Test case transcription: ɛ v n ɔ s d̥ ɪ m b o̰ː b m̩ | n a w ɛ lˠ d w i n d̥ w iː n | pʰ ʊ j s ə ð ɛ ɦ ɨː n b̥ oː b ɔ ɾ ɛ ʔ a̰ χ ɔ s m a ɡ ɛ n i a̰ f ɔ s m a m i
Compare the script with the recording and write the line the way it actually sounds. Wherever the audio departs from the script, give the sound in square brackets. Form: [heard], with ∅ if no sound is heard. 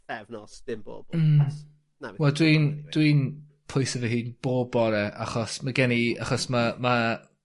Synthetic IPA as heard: ɛ v n ɔ s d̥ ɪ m b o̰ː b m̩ | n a w ɛ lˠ d w i n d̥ w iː n | pʰ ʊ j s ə [v] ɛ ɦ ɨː n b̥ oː b ɔ ɾ ɛ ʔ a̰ χ ɔ s m a ɡ ɛ n i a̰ [χ] ɔ s m a m [a]